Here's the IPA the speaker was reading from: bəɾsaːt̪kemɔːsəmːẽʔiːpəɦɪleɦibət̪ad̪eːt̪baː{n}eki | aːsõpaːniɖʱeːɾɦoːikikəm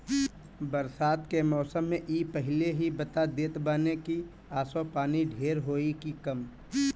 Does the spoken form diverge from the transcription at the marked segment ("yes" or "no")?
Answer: no